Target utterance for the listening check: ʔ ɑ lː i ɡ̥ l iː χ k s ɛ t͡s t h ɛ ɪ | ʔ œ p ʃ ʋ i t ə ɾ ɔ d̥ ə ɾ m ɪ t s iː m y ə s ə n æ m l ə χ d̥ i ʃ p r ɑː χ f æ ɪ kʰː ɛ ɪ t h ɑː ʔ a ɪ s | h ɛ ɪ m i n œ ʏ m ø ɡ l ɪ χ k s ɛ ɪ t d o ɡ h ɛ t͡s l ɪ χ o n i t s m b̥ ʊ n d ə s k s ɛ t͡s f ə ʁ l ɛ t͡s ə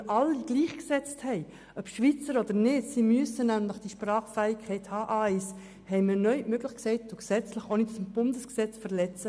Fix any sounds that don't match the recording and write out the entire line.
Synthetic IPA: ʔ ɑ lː i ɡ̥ l iː χ k s ɛ t͡s t h ɛ ɪ | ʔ œ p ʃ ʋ i t͡s ə ɾ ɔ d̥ ə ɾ n ɪ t s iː m y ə s ə n æ m l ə χ d̥ i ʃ p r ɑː χ f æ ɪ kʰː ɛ ɪ t h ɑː ʔ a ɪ s | h ɛ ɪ m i n œ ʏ m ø ɡ l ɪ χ k s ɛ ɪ t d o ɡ s ɛ t͡s l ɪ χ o n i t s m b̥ ʊ n d ə s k s ɛ t͡s f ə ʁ l ɛ t͡s ə